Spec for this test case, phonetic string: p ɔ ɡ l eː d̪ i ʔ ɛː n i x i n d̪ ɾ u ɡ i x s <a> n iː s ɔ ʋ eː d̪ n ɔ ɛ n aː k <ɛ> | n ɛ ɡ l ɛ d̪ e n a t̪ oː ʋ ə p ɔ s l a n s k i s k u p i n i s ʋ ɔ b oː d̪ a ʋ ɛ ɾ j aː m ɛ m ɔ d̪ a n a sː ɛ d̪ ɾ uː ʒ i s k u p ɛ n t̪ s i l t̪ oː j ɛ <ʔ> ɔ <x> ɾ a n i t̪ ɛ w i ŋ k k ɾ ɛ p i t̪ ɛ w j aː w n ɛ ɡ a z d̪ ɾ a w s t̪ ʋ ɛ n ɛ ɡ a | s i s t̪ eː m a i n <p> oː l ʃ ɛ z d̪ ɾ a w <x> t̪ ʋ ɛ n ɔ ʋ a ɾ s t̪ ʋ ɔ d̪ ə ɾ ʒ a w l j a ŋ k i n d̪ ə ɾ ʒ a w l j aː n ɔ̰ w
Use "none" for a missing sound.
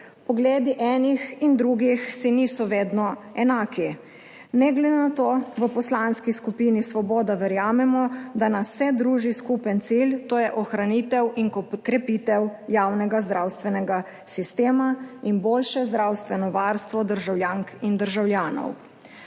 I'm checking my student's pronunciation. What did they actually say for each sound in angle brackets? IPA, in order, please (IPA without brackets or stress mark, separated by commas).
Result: i, i, ʔ, x, b, s